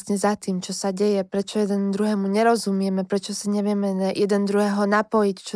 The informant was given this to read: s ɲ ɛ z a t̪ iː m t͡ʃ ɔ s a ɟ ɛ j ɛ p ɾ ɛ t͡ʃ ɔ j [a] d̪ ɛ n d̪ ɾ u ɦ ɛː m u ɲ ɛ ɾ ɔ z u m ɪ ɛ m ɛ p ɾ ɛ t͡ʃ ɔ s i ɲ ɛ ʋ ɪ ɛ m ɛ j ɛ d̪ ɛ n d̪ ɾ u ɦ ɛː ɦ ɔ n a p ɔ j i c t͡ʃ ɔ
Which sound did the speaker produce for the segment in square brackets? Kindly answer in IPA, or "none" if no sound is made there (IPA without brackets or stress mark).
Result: ɛ